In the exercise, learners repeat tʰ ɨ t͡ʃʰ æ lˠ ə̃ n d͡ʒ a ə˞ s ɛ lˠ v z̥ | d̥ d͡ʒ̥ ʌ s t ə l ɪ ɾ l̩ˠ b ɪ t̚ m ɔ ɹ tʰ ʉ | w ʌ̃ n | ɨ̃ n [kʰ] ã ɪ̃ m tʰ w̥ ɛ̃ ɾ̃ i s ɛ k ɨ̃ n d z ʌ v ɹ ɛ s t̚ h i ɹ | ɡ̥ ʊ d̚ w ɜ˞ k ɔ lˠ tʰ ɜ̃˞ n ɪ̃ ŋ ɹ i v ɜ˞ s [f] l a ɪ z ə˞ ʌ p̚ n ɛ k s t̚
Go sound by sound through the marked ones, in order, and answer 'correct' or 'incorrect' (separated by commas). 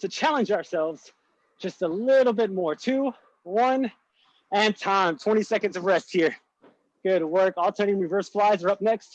incorrect, correct